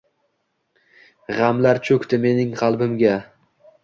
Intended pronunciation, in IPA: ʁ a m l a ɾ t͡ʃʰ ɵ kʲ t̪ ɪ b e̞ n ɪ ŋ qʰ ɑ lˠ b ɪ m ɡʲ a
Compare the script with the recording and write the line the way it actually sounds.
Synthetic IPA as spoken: ʁ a m l a ɾ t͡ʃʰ ɵ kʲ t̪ ɪ m e̞ n ɪ ŋ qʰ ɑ lˠ b ɪ m ɡʲ a